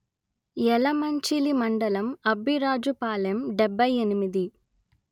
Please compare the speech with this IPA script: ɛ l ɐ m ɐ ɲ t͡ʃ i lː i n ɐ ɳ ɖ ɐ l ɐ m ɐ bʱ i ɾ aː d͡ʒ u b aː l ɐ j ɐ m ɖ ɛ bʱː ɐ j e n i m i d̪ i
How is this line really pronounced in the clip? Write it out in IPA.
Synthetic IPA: ɛ l ɐ m ɐ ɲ t͡ʃ i l i m ɐ ɳ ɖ ɐ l ɐ m ɐ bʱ i ɾ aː d͡ʒ u p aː l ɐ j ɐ m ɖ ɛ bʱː ɐ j e n i m i d̪ i